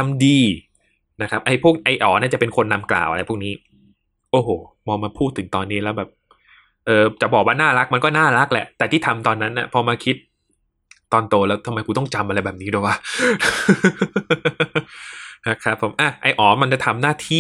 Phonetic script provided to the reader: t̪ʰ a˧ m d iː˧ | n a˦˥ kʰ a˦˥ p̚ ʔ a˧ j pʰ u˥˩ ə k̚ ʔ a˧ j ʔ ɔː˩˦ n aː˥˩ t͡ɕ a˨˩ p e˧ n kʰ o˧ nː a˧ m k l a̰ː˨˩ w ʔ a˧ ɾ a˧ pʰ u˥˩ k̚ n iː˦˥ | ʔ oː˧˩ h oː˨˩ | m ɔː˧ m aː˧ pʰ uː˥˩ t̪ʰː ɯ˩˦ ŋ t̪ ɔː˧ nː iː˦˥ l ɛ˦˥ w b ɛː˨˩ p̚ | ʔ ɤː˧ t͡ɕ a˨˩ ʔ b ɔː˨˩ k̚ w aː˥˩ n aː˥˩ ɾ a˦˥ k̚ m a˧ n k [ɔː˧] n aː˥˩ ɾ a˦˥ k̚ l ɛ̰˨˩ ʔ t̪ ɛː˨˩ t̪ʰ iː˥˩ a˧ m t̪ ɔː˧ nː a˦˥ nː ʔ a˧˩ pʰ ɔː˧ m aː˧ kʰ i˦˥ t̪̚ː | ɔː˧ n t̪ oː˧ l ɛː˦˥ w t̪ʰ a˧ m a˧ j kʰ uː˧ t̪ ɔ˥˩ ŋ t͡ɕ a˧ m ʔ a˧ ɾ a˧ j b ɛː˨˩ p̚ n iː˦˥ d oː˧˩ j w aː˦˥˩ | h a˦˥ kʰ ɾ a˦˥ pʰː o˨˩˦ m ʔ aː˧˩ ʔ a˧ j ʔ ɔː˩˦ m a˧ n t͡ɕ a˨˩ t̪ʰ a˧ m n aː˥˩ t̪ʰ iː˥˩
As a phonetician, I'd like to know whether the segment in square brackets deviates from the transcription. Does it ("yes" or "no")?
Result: yes